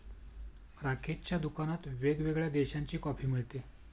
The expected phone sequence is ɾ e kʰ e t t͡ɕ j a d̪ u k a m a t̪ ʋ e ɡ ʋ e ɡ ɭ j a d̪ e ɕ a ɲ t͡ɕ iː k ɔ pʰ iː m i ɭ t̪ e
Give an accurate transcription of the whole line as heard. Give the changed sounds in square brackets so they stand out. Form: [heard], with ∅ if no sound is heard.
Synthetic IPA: ɾ [a] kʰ e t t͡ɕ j a d̪ u k a [n] a t̪ ʋ e ɡ ʋ e ɡ ɭ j a d̪ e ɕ a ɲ t͡ɕ iː k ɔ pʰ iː m i ɭ t̪ e